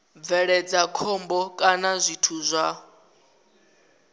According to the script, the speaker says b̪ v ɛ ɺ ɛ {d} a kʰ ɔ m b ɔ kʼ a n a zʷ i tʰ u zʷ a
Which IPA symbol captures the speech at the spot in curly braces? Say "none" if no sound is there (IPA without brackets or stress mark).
d͡z